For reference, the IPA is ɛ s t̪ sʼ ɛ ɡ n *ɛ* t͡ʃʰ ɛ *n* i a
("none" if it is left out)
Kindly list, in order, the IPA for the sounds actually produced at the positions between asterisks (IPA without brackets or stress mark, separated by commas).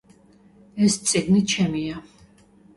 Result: i, m